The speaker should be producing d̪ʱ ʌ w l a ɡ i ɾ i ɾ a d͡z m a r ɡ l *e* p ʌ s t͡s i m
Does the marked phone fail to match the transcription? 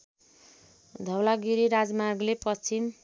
no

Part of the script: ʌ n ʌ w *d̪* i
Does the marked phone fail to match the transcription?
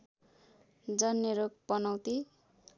yes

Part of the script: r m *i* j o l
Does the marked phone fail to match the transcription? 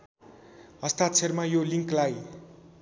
yes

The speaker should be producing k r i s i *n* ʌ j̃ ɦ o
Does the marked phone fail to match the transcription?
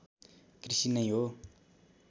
no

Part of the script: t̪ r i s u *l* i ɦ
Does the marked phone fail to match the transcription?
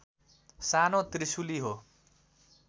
no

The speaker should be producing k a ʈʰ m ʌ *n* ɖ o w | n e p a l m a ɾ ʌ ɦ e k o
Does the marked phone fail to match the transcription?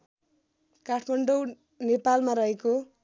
yes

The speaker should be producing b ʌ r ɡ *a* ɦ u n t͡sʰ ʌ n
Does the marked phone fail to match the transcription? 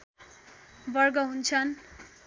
yes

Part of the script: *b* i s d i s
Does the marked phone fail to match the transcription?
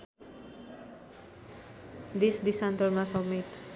yes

